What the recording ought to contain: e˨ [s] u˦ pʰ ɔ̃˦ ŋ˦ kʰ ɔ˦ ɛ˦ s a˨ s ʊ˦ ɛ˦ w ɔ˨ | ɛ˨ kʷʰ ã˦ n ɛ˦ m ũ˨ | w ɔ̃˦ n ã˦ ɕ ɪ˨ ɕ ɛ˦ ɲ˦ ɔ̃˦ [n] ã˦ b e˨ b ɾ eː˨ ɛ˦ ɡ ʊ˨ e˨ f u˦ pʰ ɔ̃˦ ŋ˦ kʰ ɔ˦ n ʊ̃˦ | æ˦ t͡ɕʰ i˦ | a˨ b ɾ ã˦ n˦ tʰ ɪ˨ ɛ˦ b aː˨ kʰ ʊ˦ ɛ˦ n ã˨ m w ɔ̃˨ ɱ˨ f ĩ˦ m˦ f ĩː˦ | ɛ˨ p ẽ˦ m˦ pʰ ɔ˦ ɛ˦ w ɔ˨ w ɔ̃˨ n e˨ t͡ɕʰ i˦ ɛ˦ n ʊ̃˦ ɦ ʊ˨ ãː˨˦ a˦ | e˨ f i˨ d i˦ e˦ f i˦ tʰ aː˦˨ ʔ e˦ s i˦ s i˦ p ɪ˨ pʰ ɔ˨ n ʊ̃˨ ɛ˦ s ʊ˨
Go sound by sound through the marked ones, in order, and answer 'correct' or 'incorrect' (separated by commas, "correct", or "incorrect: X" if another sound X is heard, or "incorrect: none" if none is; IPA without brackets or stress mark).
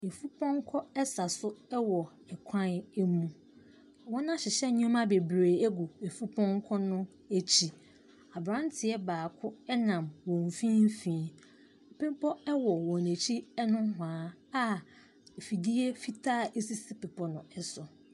incorrect: f, incorrect: m